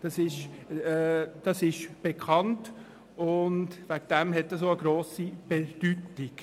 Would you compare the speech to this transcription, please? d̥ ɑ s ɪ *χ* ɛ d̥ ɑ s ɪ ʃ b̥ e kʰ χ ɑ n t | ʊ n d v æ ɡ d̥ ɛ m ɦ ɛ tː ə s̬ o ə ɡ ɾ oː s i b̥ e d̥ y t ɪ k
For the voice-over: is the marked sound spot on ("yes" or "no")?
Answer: no